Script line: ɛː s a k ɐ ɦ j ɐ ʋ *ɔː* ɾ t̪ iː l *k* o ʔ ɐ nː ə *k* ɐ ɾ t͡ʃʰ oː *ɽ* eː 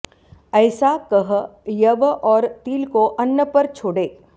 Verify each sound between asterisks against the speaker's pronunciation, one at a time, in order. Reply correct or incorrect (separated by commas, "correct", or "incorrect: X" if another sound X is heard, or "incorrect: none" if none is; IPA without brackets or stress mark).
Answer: correct, correct, incorrect: p, correct